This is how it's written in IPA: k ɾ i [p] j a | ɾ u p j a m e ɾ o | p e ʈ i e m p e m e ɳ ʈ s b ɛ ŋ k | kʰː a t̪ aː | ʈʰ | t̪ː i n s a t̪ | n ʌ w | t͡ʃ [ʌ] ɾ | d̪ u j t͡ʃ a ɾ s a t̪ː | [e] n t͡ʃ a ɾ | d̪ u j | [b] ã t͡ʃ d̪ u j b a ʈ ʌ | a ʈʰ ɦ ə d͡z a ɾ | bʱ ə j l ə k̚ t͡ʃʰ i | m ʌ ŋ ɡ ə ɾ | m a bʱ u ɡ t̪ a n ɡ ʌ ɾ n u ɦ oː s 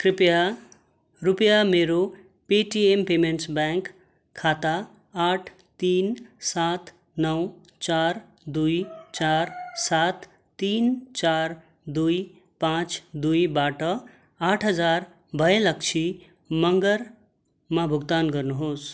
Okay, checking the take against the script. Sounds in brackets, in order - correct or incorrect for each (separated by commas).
correct, incorrect, incorrect, incorrect